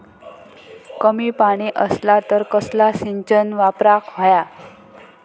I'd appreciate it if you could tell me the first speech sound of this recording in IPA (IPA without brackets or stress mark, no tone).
k